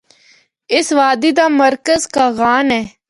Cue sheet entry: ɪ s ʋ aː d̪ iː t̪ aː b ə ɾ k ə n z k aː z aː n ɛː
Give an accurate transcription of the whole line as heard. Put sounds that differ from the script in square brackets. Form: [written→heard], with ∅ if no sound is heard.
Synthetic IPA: ɪ s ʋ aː d̪ iː [t̪→d̪] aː [b→m] ə ɾ k ə [n→∅] z k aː [z→ɣ] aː n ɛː